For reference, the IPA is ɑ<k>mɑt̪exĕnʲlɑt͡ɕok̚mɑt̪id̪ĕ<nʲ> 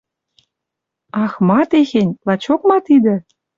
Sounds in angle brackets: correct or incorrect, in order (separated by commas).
incorrect, incorrect